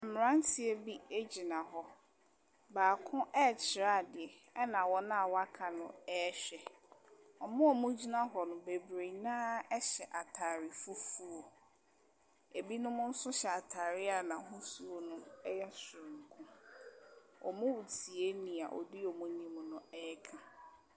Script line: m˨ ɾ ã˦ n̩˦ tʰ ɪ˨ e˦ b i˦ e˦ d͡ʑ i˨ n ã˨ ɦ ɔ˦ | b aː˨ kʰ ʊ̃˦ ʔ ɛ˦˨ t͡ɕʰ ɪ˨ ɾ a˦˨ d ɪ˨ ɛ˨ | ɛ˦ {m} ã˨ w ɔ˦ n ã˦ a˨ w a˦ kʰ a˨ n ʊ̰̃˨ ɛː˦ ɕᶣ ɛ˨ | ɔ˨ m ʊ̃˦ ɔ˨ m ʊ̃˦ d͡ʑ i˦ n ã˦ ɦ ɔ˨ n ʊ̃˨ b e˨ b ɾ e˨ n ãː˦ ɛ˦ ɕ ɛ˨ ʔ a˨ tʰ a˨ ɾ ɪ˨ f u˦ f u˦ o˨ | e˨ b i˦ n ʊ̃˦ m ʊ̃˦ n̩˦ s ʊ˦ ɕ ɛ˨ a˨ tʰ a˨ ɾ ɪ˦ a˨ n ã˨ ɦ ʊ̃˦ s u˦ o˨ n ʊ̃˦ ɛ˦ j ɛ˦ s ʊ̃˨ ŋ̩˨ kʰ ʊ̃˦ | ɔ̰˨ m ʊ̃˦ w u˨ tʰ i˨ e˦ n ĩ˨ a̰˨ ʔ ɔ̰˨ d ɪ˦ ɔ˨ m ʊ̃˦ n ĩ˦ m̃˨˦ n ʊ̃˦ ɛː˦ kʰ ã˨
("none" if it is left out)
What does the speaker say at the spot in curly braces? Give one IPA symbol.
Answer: n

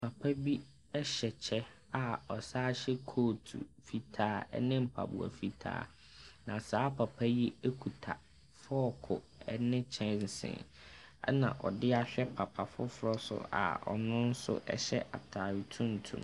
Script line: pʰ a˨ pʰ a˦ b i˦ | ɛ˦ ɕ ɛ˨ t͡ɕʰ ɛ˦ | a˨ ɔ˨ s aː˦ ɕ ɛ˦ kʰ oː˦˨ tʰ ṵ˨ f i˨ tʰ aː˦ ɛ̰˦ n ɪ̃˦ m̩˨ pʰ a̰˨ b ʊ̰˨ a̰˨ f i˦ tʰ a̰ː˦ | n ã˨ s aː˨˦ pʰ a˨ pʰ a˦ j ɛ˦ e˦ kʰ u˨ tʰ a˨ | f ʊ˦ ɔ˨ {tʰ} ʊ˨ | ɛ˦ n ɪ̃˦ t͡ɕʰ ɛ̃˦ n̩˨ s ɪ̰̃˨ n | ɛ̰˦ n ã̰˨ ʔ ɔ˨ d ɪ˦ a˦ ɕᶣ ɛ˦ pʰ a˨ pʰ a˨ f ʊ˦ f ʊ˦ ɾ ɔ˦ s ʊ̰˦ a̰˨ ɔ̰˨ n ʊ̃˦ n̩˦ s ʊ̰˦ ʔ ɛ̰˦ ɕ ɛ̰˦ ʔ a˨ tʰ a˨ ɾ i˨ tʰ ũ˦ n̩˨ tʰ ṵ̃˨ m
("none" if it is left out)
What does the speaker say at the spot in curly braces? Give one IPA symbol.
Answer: kʰ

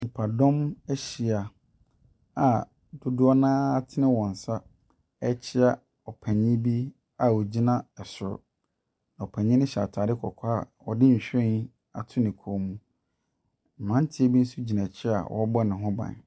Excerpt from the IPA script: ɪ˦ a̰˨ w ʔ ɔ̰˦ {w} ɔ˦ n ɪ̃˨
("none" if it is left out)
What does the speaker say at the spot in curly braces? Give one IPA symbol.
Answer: b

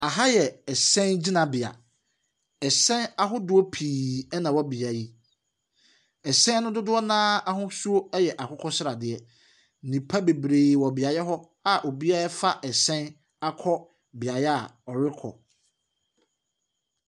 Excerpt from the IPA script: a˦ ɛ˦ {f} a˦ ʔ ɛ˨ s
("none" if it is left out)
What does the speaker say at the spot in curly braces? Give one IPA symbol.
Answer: f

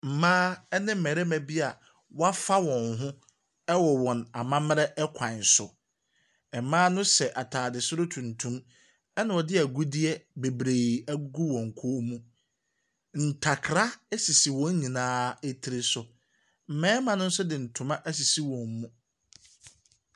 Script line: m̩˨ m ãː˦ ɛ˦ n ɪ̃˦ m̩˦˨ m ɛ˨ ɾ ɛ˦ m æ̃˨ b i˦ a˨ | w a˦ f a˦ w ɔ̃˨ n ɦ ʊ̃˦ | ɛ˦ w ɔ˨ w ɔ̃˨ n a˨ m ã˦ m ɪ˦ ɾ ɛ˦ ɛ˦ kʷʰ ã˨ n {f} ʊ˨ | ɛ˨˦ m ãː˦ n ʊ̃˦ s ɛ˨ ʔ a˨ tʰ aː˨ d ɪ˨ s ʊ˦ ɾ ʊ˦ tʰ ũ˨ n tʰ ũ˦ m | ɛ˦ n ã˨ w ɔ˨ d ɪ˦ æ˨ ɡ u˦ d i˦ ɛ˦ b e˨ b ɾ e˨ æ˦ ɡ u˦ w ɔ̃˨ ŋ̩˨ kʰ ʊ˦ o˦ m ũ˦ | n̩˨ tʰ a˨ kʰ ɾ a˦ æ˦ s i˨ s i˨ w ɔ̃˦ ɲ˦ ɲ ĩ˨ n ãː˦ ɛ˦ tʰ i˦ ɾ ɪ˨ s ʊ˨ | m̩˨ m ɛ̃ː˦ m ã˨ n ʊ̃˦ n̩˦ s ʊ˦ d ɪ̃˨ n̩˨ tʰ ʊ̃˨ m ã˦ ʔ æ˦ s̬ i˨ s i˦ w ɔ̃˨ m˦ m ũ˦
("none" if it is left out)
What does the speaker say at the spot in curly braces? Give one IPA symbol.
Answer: s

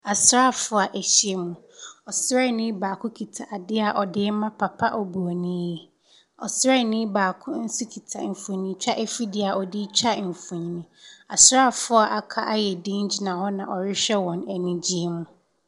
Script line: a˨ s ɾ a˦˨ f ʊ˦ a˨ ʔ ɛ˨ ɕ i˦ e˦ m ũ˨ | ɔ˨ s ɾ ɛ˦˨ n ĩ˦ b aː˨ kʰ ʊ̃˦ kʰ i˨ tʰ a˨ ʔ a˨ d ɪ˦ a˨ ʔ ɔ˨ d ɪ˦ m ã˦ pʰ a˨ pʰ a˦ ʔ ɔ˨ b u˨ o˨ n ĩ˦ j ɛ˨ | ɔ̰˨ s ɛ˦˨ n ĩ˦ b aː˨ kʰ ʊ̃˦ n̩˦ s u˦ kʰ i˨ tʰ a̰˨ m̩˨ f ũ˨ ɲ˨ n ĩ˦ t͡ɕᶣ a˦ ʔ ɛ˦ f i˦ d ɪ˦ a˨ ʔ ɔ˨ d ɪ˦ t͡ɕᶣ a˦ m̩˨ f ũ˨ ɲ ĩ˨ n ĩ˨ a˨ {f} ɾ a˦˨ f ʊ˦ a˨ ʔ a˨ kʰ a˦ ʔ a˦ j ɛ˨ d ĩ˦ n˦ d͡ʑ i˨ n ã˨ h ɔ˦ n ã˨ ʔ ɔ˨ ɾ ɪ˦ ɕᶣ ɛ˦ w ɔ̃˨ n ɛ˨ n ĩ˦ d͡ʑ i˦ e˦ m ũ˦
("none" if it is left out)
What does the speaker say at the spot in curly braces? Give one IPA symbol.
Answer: s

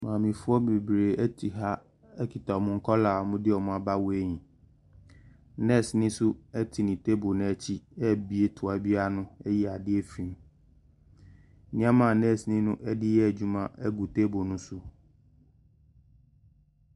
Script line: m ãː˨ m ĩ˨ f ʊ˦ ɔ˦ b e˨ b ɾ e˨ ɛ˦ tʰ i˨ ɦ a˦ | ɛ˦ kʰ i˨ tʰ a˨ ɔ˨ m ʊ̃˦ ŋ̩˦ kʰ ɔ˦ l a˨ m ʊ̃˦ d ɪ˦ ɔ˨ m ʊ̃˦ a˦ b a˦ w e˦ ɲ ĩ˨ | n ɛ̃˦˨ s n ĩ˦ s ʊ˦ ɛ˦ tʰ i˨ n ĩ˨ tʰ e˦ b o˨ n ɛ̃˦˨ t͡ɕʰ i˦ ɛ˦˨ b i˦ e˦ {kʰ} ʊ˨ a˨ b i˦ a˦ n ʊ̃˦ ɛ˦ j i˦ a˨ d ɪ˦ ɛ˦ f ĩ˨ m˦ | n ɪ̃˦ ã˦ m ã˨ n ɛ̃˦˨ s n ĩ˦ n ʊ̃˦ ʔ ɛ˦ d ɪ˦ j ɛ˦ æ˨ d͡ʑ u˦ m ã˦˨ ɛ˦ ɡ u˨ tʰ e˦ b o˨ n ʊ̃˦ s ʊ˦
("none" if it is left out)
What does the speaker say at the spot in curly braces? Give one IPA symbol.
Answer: tʰ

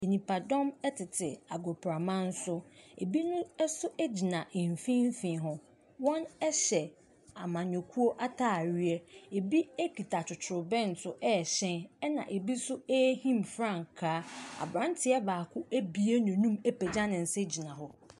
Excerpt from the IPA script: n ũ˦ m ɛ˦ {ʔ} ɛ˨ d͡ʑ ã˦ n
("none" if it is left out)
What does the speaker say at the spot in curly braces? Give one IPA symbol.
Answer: p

